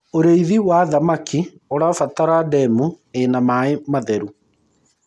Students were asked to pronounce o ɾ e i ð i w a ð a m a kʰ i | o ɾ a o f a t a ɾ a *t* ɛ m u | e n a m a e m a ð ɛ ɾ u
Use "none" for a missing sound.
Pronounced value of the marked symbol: d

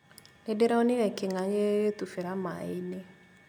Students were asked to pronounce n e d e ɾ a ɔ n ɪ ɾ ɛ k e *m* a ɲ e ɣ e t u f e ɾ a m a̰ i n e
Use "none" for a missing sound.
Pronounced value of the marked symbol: ŋ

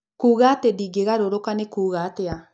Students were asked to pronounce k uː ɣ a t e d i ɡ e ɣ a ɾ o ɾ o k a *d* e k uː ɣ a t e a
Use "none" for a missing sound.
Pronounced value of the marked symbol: n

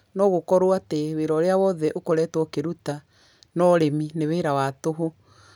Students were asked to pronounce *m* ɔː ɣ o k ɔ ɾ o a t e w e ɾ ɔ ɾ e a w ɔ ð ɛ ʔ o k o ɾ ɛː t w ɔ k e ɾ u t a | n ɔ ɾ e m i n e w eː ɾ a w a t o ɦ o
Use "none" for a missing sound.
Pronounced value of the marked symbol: n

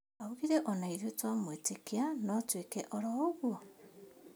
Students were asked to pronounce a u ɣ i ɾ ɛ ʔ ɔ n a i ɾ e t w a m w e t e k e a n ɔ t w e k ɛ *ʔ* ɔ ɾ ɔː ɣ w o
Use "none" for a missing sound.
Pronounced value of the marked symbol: ʔ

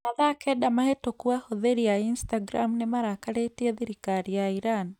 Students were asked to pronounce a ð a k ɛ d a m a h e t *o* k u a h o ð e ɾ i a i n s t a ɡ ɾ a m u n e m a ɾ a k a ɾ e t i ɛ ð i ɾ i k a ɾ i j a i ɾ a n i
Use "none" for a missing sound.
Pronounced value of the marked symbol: o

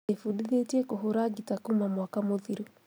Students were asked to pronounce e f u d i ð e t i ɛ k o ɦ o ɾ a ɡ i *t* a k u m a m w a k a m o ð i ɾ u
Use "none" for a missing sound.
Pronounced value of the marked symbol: t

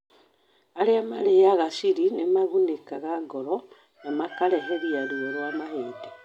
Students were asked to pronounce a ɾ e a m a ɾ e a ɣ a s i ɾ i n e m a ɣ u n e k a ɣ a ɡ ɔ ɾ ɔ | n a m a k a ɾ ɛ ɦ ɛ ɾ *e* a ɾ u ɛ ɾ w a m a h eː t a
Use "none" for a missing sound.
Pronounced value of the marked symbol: i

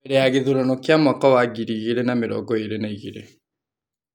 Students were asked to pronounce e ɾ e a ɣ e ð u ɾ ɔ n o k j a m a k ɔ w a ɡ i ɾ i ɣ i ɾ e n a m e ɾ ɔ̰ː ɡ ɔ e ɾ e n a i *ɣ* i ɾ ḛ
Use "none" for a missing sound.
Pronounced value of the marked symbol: ɣ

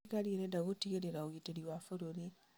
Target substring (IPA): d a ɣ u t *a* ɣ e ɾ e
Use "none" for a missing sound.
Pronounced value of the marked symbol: i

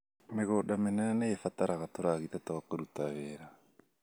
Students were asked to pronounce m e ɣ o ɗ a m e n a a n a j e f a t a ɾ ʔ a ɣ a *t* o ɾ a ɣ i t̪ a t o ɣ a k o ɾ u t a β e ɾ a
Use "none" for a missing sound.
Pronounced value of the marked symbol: t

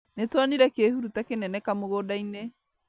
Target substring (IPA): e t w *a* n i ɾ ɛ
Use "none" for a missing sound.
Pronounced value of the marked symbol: a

